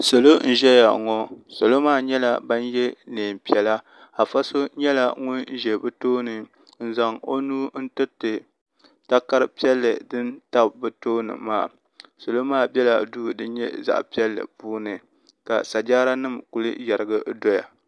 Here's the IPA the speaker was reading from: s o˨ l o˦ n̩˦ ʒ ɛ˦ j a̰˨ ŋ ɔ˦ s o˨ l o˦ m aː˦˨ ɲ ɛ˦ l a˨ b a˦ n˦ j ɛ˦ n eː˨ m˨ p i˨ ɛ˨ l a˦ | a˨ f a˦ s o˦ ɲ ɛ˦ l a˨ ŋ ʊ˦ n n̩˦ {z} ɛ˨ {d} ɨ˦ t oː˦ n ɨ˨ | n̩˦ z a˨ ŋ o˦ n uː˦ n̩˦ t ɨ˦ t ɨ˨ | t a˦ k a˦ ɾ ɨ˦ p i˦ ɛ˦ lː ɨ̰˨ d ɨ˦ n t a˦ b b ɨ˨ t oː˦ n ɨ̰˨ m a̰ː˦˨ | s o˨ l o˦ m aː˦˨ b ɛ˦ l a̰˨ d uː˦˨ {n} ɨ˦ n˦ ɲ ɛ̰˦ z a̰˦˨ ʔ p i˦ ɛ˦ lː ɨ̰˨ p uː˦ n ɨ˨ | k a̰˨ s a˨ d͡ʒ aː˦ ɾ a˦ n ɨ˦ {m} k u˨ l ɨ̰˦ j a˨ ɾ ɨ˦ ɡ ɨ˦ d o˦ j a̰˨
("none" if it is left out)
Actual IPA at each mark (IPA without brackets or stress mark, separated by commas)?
ʒ, b, d, m